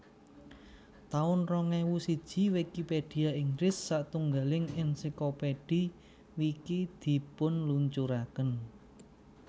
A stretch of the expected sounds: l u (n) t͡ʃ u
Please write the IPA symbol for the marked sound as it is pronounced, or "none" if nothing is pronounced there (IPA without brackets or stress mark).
ɲ